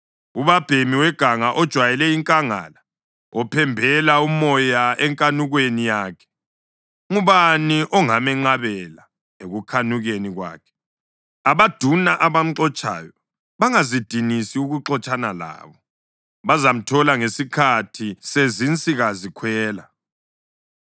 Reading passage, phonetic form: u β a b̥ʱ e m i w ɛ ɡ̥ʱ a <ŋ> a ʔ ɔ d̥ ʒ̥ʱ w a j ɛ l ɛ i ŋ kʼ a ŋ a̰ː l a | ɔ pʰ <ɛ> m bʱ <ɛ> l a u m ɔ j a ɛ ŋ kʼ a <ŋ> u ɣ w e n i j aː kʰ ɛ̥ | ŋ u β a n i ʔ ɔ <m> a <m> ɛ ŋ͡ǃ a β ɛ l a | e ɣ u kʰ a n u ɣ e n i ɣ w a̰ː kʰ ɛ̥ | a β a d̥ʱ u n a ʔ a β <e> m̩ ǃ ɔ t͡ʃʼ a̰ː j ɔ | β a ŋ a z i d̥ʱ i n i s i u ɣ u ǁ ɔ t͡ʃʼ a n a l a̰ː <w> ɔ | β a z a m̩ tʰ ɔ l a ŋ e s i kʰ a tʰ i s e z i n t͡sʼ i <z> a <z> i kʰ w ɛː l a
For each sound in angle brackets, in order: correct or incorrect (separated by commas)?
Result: correct, correct, correct, incorrect, incorrect, correct, incorrect, incorrect, incorrect, correct